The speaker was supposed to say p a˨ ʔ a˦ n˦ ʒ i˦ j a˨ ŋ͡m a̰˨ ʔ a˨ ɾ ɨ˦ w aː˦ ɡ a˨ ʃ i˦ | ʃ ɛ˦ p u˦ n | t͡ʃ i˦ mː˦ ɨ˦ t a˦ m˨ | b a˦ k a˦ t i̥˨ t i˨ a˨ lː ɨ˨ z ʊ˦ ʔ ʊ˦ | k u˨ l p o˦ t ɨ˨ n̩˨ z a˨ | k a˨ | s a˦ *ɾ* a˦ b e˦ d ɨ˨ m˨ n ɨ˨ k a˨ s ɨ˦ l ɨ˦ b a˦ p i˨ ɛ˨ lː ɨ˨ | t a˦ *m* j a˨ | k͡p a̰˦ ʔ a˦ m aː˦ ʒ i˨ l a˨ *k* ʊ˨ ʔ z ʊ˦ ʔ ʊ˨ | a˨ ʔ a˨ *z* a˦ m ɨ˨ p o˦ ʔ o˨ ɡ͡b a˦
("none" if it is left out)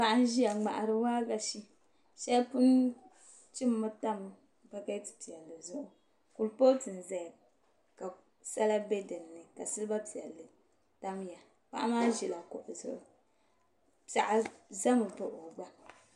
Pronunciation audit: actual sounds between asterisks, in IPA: l, m, k, z

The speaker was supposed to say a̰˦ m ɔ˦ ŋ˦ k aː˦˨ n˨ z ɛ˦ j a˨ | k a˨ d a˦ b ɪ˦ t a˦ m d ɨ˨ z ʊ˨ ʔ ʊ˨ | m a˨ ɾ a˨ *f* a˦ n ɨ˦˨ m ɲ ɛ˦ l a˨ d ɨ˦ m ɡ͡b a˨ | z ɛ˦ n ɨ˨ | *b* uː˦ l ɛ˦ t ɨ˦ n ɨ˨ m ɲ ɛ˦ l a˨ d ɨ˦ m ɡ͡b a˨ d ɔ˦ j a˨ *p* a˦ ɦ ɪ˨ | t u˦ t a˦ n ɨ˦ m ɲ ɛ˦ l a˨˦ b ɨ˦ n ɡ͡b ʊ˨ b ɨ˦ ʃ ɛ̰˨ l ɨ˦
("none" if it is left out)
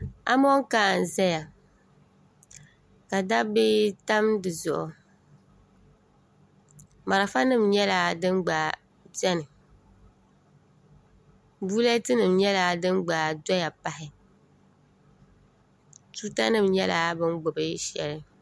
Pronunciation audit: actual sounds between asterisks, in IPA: f, b, p

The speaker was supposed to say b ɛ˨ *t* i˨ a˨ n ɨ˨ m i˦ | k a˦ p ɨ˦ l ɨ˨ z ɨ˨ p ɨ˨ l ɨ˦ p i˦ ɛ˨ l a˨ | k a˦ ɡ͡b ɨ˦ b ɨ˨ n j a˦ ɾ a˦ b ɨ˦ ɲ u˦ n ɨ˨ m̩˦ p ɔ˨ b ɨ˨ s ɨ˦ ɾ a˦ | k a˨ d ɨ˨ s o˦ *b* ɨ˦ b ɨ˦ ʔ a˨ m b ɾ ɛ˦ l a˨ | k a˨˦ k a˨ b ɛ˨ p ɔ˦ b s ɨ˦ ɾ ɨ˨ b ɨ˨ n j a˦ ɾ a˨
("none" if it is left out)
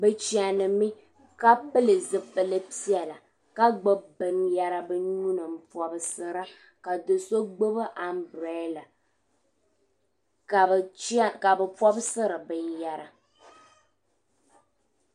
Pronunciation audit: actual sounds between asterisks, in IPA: t͡ʃ, ɡ͡b

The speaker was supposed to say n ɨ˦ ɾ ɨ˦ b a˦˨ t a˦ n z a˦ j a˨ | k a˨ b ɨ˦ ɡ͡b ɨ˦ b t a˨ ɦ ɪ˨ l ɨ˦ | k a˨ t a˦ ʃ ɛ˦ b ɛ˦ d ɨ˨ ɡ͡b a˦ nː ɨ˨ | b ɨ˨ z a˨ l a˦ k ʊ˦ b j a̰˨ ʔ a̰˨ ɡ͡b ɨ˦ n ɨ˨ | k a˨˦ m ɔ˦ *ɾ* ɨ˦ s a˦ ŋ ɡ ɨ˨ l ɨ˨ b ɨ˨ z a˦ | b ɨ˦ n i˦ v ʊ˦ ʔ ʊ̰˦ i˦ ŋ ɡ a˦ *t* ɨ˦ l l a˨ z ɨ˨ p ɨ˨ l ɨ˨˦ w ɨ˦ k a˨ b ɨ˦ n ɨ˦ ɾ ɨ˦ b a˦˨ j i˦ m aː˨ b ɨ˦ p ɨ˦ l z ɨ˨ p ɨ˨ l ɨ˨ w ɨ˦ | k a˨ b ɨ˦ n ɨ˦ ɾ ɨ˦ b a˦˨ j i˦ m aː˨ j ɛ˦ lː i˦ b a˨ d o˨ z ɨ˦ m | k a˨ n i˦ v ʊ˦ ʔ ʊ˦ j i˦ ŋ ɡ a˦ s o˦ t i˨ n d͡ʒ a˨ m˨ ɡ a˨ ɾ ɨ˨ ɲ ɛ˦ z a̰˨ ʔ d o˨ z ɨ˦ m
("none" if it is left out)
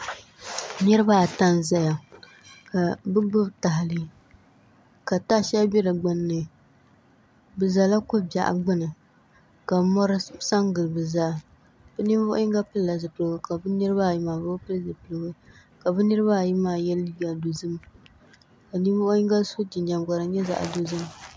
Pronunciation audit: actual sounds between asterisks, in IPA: ɾ, p

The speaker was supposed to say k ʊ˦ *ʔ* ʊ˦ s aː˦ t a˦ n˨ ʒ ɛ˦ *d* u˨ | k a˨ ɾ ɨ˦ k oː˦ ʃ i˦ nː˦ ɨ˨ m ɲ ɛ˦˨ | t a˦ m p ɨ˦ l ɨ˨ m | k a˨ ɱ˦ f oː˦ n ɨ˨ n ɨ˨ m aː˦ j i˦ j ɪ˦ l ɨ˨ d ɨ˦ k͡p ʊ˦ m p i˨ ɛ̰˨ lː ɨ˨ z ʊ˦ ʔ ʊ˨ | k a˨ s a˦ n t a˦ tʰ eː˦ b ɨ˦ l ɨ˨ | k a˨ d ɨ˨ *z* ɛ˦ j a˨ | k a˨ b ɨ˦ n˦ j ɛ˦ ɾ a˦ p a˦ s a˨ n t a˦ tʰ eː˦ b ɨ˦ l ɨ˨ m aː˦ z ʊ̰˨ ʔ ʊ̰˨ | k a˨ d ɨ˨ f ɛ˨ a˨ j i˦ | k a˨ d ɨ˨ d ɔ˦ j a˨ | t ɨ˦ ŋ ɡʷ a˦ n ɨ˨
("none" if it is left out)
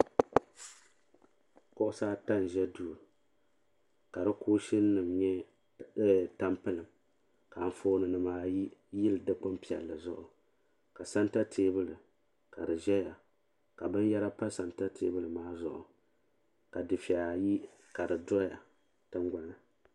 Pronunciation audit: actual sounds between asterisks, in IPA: ʔ, d, ʒ

